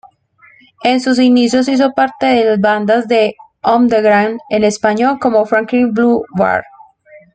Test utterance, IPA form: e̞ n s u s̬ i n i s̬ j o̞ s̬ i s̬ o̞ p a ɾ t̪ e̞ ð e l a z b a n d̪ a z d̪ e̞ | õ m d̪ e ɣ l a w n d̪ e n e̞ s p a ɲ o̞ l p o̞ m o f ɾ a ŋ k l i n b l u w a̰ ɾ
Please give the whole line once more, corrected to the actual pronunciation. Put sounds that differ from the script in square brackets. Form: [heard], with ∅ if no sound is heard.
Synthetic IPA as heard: e̞ n s u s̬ i n i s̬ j o̞ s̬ i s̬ o̞ p a ɾ t̪ e̞ ð e l a z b a n d̪ a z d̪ e̞ | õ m d̪ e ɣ [ɾ] a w n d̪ e n e̞ s p a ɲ o̞ l [k] o̞ m o f ɾ a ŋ k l i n b l u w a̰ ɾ